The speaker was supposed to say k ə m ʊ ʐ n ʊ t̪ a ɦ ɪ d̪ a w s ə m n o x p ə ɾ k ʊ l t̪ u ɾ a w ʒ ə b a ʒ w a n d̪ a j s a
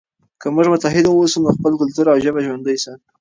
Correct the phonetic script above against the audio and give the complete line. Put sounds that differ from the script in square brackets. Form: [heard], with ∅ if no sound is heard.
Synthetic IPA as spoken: k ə m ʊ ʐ [m] ʊ t̪ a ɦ ɪ d̪ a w s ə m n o x p ə [l] k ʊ l t̪ u ɾ a w ʒ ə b a ʒ w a n d̪ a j s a